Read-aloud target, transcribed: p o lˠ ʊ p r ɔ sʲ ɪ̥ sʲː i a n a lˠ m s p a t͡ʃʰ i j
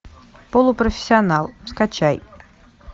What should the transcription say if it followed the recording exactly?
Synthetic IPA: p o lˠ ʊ p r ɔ fʲ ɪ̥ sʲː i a n a lˠ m s k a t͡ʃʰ a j